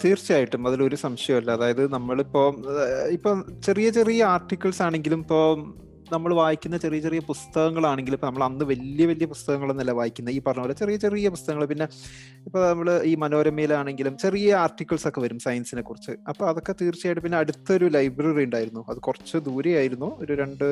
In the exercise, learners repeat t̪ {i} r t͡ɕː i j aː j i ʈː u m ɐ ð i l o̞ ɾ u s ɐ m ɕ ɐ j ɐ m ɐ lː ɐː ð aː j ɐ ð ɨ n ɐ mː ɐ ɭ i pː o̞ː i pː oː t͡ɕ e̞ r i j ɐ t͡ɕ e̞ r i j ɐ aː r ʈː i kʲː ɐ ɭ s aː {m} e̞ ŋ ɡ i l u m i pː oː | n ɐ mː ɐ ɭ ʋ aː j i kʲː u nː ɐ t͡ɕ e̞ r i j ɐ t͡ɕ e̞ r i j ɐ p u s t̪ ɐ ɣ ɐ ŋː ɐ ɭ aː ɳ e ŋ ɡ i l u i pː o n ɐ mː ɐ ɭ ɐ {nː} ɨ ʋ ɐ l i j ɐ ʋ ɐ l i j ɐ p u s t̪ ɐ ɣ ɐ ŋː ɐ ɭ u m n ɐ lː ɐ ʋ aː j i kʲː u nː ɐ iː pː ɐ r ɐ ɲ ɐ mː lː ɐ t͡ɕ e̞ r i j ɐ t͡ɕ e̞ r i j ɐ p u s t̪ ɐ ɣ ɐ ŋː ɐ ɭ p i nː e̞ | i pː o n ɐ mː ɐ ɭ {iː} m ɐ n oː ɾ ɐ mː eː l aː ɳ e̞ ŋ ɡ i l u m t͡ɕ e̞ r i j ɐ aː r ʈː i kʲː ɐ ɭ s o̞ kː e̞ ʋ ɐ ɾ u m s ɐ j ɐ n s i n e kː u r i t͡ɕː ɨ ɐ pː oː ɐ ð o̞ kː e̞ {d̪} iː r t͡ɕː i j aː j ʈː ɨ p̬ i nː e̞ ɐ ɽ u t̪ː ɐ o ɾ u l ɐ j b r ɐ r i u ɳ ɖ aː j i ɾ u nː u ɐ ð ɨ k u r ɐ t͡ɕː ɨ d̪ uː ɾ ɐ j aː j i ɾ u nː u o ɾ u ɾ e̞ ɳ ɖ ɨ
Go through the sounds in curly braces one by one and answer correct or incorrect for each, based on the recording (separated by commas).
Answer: incorrect, incorrect, correct, correct, incorrect